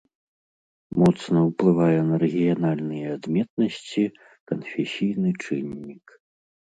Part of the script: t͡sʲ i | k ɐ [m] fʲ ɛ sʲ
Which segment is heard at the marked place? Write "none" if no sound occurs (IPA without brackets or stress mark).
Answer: n